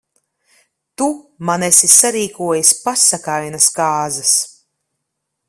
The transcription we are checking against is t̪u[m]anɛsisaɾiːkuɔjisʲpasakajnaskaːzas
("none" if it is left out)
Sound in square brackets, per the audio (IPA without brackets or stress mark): m